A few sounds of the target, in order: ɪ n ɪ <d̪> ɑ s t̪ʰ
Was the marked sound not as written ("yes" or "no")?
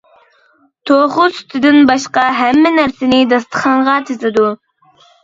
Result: no